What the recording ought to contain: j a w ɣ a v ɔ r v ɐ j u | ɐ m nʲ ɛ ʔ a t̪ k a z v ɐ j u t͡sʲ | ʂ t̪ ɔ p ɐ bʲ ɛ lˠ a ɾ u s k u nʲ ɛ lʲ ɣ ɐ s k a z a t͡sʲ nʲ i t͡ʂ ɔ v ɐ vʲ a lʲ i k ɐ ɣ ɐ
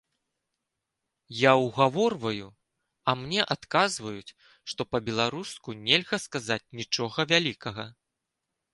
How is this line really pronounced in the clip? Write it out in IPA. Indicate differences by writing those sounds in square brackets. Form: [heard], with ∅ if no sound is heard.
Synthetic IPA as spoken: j a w ɣ a v ɔ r v ɐ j u | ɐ m nʲ ɛ ʔ a t̪ k a z v ɐ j u t͡sʲ | ʂ t̪ ɔ p ɐ bʲ ɛ lˠ a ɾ u s k u nʲ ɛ lʲ ɣ ɐ s k a z a t͡sʲ nʲ i t͡ʂ ɔ [ɣ] ɐ vʲ a lʲ i k ɐ ɣ ɐ